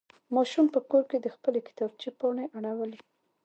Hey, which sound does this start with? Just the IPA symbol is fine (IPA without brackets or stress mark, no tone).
m